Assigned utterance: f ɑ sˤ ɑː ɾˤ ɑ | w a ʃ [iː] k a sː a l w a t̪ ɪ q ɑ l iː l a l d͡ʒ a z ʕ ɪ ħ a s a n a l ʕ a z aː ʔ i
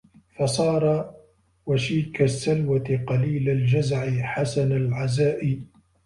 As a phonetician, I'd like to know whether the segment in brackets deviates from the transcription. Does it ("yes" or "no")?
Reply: no